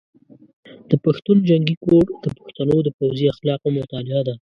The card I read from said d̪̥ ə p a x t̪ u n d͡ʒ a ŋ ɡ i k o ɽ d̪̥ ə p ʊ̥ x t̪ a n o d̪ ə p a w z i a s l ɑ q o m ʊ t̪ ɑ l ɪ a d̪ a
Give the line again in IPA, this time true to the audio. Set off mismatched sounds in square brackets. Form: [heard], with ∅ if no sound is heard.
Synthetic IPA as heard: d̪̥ ə p a x t̪ u n d͡ʒ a ŋ ɡ i k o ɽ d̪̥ ə p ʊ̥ x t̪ a n o d̪ ə p a w z i a [x] l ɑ q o m ʊ t̪ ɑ l ɪ a d̪ a